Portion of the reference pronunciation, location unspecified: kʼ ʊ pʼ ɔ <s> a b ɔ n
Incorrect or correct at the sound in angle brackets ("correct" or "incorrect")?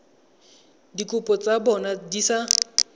incorrect